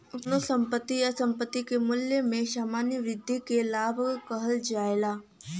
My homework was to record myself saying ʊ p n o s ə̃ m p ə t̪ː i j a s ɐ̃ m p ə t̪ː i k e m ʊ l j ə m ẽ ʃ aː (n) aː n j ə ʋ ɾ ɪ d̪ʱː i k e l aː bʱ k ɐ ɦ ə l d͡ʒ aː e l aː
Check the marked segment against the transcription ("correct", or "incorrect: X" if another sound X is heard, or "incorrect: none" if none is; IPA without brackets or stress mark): incorrect: m